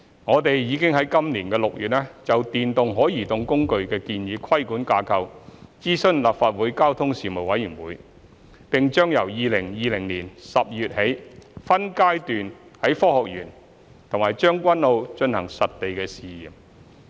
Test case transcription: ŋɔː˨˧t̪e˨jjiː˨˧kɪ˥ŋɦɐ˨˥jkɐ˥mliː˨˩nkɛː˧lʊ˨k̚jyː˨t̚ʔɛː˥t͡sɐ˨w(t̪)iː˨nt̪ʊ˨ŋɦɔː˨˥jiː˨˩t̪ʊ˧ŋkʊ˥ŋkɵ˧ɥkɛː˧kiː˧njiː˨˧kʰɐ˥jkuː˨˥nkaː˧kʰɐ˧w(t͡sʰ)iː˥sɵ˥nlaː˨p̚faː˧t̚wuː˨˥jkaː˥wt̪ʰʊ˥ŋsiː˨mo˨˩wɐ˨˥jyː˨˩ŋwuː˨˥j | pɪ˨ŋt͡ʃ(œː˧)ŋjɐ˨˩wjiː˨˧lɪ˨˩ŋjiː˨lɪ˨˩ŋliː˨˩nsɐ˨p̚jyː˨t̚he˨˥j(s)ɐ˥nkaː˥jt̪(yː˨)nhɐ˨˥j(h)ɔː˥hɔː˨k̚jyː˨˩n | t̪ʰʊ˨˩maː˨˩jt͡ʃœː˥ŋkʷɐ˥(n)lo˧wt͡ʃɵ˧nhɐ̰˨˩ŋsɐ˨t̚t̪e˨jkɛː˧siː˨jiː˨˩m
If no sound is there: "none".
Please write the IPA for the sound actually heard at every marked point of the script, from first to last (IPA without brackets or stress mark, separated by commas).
t̪, t͡s, œː˥, f, yː˨, f, n